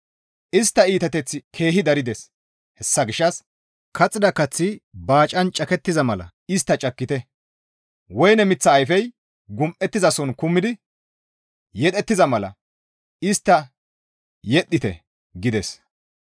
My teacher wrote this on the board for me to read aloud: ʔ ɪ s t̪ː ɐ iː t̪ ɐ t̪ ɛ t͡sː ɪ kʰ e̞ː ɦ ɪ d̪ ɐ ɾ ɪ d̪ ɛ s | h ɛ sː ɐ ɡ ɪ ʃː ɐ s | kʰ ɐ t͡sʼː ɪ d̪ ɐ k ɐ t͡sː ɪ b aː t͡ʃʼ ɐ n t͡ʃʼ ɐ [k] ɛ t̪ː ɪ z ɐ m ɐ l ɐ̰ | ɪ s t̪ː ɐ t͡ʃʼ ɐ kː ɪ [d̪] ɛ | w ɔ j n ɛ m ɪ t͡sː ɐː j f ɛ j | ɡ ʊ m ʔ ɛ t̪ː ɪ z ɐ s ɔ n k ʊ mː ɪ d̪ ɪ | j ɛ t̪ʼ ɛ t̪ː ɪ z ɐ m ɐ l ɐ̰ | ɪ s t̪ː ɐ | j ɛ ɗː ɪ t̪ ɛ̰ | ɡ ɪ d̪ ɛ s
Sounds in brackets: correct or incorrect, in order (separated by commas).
correct, incorrect